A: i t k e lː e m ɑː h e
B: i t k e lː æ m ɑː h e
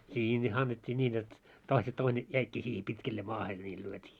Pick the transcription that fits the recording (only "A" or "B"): A